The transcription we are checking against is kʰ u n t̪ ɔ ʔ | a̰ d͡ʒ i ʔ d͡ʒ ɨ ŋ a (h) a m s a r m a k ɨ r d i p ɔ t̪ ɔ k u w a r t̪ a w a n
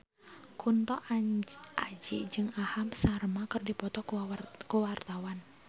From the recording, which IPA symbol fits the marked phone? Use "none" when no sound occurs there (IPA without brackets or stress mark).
h